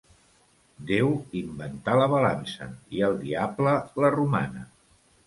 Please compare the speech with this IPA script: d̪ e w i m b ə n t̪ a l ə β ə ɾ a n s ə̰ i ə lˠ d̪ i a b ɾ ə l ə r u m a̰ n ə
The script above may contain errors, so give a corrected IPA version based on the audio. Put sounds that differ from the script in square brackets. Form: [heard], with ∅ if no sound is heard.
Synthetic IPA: d̪ e w i m b ə n t̪ a l ə β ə [l] a n s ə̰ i ə lˠ d̪ i a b [l] ə l ə r u m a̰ n ə